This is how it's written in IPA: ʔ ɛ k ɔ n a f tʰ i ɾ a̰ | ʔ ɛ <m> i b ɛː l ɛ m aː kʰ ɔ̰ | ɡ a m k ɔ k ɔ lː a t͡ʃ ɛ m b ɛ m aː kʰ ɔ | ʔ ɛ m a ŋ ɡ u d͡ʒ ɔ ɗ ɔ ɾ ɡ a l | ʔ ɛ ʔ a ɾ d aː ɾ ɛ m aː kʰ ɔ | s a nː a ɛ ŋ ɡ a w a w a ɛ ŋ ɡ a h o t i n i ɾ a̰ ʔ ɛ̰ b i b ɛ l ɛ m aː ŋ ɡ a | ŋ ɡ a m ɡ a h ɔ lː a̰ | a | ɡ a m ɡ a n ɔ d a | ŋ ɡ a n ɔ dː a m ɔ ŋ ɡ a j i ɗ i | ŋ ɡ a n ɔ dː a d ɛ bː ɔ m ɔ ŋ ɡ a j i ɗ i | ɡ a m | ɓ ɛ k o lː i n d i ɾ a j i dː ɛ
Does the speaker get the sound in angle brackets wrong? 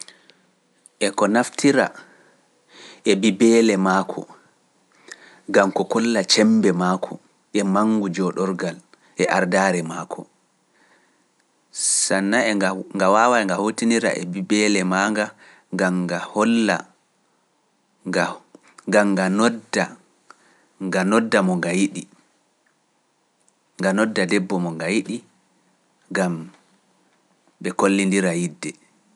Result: yes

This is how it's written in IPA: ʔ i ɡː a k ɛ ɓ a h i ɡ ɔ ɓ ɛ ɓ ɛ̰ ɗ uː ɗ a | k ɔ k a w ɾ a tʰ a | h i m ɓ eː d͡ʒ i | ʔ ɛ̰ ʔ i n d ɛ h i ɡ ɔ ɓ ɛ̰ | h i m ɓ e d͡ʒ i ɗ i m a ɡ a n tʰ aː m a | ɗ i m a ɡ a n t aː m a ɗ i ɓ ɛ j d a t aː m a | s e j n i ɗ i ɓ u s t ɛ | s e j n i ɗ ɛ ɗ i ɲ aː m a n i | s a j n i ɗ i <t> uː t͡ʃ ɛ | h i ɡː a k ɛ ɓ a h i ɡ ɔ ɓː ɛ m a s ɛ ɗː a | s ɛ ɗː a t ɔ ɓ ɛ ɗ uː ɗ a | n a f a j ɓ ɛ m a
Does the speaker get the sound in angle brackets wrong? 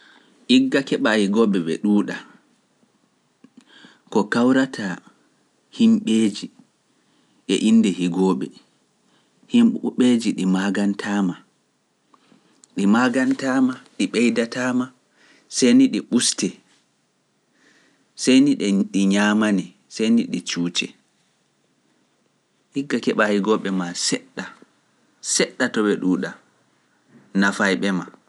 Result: yes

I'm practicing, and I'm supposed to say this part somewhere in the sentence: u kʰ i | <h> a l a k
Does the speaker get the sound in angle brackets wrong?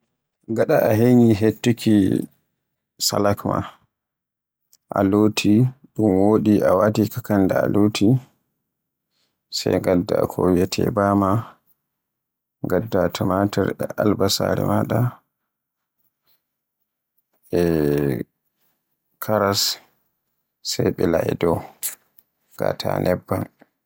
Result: yes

